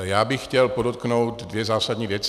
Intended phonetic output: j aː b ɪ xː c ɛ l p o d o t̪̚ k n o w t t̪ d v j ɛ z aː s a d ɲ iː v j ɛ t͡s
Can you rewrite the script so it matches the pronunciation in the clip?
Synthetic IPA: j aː b ɪ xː c ɛ l p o d o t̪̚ k n o w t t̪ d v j ɛ z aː s a d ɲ iː v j ɛ t͡s